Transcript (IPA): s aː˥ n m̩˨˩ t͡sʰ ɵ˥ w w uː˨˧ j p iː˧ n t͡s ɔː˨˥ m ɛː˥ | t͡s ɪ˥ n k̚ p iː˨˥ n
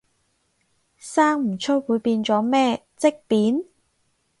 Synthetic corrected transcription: s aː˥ ŋ m̩˨˩ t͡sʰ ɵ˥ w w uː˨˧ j p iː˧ n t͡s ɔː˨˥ m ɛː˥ | t͡s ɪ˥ k̚ p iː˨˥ n

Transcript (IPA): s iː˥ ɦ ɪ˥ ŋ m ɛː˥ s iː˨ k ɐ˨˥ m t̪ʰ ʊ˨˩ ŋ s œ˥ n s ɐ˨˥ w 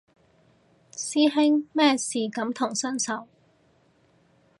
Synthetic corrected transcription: s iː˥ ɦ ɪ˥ ŋ m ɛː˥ s iː˨ k ɐ˨˥ m t̪ʰ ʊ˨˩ ŋ s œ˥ n s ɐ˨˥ w

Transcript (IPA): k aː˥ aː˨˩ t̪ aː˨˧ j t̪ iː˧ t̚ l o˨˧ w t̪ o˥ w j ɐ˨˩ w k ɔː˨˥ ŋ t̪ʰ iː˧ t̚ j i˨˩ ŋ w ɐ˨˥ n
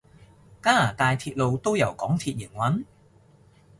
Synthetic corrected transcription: k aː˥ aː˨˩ t̪ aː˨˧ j t̪ʰ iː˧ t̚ l o˨˧ w t̪ o˥ w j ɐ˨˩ w k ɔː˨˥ ŋ t̪ʰ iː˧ t̚ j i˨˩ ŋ w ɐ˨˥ n

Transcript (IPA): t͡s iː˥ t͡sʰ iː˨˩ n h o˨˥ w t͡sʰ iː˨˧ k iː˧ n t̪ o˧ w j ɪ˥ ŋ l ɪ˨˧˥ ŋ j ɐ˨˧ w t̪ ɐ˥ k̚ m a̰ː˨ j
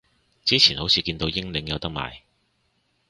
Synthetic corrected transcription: t͡s iː˥ t͡sʰ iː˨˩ n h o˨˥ w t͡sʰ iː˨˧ k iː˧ n t̪ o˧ w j ɪ˥ ŋ l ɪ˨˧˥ ŋ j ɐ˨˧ w t̪ ɐ˥ k̚ m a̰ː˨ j

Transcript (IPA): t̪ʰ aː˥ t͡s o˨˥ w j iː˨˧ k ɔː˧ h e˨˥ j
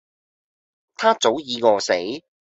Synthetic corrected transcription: t̪ʰ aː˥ t͡s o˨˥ w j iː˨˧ k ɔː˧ s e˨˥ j

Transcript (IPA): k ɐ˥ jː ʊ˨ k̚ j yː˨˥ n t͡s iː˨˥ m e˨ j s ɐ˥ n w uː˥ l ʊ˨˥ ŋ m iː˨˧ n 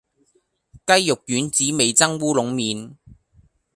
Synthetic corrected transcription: k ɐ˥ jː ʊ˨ k̚ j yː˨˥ n t͡s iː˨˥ m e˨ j t͡s ɐ˥ ŋ w uː˥ l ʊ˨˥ ŋ m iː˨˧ n

